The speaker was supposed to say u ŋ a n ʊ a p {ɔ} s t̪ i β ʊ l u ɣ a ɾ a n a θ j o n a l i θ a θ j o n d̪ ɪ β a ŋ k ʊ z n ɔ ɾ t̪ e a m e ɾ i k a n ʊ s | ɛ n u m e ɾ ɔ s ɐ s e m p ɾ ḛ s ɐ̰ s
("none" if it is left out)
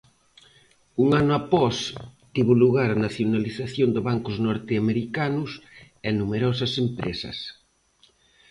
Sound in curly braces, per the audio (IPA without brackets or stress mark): ɔ